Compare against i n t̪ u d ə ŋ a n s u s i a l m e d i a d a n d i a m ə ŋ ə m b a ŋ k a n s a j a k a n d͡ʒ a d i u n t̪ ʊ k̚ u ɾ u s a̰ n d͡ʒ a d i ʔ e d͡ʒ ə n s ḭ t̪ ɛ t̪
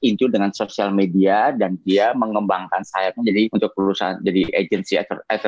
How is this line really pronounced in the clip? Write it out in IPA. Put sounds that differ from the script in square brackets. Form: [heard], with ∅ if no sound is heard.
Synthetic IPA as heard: i n t̪ u d ə ŋ a n s [o] s i a l m e d i a d a n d i a m ə ŋ ə m b a ŋ k a n s a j a k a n d͡ʒ a d i u n t̪ ʊ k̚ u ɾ u s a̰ n d͡ʒ a d i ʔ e d͡ʒ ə n s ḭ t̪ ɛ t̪